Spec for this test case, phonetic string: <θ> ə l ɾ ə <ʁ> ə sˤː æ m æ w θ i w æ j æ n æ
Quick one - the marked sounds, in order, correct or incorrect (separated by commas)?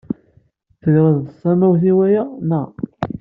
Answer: correct, incorrect